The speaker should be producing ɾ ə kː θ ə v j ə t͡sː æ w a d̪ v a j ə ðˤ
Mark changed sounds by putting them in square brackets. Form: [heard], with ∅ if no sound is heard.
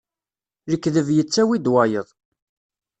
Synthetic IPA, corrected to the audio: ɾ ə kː [ð] ə v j ə t͡sː æ w [i] d̪ [w] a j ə ðˤ